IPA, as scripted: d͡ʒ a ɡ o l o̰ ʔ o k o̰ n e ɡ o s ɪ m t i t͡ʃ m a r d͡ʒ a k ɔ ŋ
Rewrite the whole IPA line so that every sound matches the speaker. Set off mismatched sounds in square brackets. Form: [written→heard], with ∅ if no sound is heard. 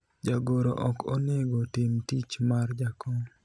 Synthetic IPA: d͡ʒ a ɡ o [l→ɾ] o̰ ʔ [o→ɔ] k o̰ n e ɡ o [s→t] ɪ m t i t͡ʃ m a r d͡ʒ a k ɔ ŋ